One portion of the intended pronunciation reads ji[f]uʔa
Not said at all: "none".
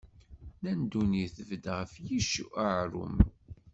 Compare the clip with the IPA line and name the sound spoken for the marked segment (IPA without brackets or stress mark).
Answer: ʃ